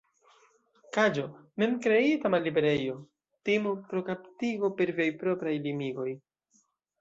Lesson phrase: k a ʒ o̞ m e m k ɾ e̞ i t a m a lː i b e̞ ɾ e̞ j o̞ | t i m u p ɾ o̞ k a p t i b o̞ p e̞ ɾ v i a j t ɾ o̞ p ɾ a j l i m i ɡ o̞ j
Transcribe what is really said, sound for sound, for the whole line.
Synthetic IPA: k a d͡ʒ o̞ m e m k ɾ e̞ i t a m a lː i b e̞ ɾ e̞ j o̞ | t i m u p ɾ o̞ k a p t i ɡ o̞ p e̞ ɾ v i a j p ɾ o̞ p ɾ a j l i m i ɡ o̞ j